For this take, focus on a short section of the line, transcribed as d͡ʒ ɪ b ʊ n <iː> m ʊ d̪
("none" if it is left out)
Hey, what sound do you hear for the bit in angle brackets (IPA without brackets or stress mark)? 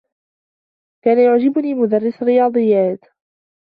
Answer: iː